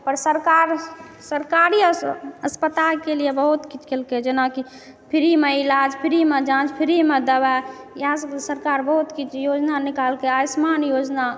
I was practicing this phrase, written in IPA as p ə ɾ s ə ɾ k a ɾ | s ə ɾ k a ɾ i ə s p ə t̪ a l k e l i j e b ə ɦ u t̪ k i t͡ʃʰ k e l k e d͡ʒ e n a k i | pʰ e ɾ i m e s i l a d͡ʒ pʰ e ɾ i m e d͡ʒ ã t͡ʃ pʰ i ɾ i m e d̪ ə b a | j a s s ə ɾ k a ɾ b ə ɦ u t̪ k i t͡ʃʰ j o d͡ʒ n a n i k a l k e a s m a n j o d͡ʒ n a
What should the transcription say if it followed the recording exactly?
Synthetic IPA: p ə ɾ s ə ɾ k a ɾ | s ə ɾ k a ɾ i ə s p ə t̪ a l k e l i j e b ə ɦ u t̪ k i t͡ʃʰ k e l k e d͡ʒ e n a k i | pʰ i ɾ i m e i l a d͡ʒ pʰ i ɾ i m e d͡ʒ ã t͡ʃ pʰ i ɾ i m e d̪ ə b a | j a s s ə ɾ k a ɾ b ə ɦ u t̪ k i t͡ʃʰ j o d͡ʒ n a n i k a l k e a s m a n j o d͡ʒ n a